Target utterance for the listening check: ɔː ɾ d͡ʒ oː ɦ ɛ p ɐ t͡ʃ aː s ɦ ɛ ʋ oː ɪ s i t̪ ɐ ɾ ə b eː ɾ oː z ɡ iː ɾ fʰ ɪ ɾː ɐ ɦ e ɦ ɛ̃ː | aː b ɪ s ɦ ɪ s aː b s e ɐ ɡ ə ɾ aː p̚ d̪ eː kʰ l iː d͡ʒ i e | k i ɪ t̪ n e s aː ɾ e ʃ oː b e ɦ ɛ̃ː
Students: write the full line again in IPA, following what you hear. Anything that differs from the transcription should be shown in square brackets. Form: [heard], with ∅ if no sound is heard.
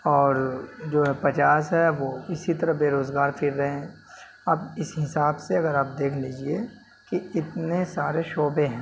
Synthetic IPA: ɔː ɾ d͡ʒ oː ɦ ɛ p ɐ t͡ʃ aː s ɦ ɛ ʋ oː ɪ s i t̪ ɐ ɾ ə b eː ɾ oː z ɡ [aː] ɾ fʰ ɪ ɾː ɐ ɦ e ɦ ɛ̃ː | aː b ɪ s ɦ ɪ s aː b s e ɐ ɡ ə ɾ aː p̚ d̪ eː kʰ l iː d͡ʒ i e | k i ɪ t̪ n e s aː ɾ e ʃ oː b e ɦ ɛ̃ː